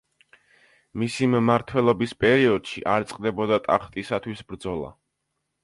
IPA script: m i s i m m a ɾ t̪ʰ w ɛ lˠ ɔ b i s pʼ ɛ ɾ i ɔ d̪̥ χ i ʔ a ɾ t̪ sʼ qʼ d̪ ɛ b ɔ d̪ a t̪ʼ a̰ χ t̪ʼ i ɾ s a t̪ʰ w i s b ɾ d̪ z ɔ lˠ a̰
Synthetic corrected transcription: m i s i m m a ɾ t̪ʰ w ɛ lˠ ɔ b i s pʼ ɛ ɾ i ɔ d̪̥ ʃ i ʔ a ɾ t̪ sʼ qʼ d̪ ɛ b ɔ d̪ a t̪ʼ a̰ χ t̪ʼ i s a t̪ʰ w i s b ɾ d̪ z ɔ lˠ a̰